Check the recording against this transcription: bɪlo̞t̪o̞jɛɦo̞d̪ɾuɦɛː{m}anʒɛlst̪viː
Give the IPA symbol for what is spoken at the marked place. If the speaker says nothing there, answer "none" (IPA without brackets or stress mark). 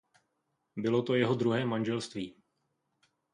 m